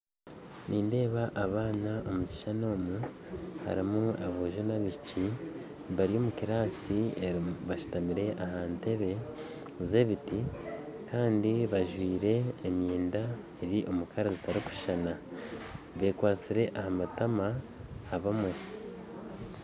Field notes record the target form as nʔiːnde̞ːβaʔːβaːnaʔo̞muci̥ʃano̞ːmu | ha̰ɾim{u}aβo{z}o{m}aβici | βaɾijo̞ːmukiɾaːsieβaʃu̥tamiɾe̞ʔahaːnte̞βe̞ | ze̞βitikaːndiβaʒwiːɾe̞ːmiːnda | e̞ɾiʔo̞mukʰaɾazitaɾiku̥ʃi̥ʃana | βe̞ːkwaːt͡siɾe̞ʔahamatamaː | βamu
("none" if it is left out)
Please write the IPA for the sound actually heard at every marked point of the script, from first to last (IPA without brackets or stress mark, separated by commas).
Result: u, ʒ, n